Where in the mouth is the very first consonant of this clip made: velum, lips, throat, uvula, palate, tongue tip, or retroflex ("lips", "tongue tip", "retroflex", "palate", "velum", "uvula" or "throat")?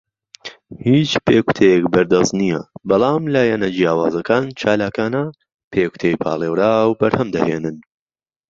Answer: throat